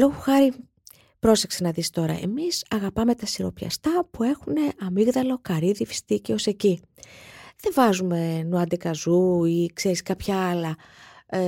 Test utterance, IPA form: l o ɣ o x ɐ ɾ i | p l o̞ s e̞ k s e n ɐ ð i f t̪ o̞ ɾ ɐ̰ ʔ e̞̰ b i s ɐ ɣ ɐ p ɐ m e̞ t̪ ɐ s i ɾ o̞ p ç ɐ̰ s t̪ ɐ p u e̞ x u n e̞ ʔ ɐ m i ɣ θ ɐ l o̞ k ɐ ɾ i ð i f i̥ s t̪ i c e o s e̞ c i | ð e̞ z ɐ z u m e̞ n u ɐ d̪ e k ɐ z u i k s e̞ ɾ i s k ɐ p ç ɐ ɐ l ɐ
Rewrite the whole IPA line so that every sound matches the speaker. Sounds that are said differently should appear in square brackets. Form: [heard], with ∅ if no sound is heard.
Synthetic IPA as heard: l o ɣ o x ɐ ɾ i | p [ɾ] o̞ s e̞ k s e n ɐ ð i [s] t̪ o̞ ɾ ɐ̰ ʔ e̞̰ [m] i s ɐ ɣ ɐ p ɐ m e̞ t̪ ɐ s i ɾ o̞ p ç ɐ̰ s t̪ ɐ p u e̞ x u n e̞ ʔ ɐ m i ɣ [ð] ɐ l o̞ k ɐ ɾ i ð i f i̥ s t̪ i c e o s e̞ c i | ð e̞ [v] ɐ z u m e̞ n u ɐ d̪ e k ɐ z u i k s e̞ ɾ i s k ɐ p ç ɐ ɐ l ɐ